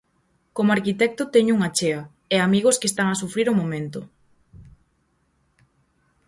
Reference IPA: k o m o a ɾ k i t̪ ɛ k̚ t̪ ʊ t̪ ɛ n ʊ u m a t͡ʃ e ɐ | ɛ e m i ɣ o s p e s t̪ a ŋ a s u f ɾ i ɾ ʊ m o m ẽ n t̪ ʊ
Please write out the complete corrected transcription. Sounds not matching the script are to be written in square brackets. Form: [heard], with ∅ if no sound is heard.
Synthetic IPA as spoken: k o m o a ɾ k i t̪ ɛ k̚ t̪ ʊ t̪ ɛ [ɲ] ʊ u [ŋ] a t͡ʃ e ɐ | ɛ [a] m i ɣ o s [k] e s t̪ a ŋ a s u f ɾ i ɾ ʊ m o m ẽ n t̪ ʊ